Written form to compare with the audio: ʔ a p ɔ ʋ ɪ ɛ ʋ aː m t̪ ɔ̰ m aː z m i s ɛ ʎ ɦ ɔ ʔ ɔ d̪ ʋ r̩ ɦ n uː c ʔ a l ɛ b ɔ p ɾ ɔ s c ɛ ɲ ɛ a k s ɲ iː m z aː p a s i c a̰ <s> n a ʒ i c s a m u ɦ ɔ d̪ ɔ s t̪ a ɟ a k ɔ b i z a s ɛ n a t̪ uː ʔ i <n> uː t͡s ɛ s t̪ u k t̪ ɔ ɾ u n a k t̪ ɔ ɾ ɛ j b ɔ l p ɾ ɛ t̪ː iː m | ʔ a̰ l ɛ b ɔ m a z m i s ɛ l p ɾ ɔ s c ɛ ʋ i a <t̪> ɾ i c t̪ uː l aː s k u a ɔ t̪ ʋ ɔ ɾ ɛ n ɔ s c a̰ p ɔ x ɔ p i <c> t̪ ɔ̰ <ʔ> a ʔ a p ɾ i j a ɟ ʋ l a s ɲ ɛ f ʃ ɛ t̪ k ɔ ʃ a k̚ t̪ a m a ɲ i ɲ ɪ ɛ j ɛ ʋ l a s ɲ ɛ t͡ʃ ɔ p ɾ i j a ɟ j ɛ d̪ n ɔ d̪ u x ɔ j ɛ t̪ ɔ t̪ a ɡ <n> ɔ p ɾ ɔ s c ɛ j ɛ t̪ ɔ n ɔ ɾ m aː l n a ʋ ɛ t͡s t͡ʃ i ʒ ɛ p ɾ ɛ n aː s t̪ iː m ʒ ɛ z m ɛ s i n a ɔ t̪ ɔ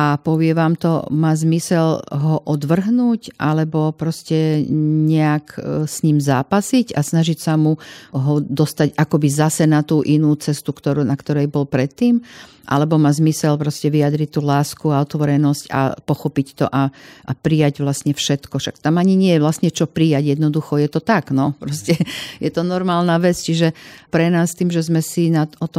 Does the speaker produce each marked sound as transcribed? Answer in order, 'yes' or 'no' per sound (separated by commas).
yes, yes, no, yes, yes, yes